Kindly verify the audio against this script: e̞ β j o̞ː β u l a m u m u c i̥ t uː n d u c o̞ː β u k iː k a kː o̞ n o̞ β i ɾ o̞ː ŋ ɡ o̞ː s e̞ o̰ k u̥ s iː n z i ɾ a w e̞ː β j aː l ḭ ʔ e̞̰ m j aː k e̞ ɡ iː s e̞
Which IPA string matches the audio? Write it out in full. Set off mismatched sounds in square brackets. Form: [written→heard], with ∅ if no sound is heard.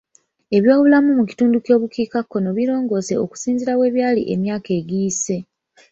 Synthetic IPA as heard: e̞ β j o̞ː β u l a m u m u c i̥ t uː n d u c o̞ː β u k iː k a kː o̞ n o̞ β i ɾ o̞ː ŋ ɡ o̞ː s e̞ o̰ k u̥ s iː n z i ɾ a w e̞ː β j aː l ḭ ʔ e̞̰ m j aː k e̞ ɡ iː s e̞